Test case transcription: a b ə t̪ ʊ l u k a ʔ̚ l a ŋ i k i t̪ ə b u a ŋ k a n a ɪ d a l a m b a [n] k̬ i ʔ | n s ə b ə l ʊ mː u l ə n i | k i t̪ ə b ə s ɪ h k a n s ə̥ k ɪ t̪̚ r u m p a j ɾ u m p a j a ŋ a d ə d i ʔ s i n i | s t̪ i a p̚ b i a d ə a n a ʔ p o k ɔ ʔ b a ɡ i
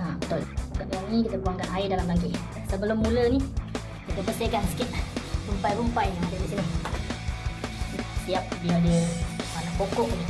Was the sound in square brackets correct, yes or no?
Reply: no